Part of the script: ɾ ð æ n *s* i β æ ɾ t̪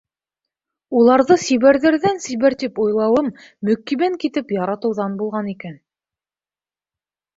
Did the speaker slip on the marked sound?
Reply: no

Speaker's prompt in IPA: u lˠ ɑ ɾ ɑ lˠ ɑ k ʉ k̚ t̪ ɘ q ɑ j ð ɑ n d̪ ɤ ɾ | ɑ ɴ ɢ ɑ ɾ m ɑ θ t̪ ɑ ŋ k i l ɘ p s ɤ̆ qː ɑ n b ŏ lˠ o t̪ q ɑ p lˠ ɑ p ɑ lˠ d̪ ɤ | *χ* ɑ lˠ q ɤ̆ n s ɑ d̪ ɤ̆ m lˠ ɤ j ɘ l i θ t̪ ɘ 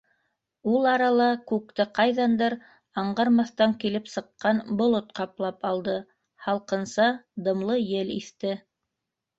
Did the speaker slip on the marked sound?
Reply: yes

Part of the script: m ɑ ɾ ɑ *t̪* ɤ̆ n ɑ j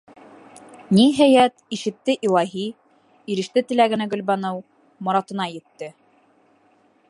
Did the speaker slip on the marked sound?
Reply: no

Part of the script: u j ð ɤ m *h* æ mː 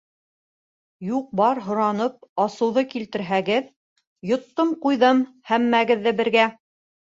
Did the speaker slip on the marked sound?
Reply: no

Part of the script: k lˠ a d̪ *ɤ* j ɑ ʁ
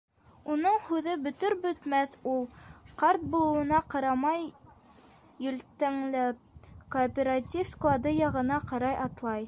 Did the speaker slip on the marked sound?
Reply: no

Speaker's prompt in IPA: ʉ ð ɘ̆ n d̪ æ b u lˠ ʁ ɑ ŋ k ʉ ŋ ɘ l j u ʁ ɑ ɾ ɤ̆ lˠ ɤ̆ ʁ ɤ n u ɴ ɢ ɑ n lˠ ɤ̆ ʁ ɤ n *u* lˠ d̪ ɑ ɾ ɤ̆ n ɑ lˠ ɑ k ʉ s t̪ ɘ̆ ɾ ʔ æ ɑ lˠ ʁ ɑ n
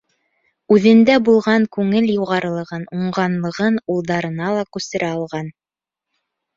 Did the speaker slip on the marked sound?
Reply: no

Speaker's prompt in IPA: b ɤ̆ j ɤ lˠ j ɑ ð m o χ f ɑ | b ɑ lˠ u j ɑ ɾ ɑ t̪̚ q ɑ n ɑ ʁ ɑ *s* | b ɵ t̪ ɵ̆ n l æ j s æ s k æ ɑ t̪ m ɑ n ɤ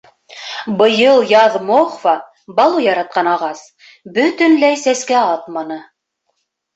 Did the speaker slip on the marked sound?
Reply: no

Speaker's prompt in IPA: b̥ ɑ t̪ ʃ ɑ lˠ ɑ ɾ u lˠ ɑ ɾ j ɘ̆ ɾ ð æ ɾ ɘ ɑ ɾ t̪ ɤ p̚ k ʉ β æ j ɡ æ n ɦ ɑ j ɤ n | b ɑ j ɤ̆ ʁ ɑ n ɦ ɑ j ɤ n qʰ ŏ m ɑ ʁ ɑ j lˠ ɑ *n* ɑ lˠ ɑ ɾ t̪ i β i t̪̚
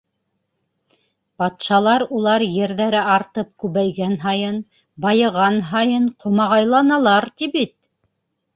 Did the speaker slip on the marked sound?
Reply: no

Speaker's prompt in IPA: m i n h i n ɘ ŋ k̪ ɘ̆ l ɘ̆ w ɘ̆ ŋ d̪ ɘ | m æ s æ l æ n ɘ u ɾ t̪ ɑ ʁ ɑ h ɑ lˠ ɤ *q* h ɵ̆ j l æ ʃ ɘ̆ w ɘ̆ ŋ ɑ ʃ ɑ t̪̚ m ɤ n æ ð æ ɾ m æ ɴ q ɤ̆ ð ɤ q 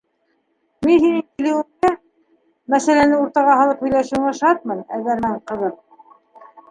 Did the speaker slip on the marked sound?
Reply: yes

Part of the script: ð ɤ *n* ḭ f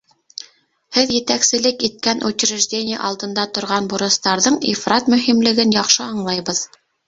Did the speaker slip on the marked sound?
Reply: yes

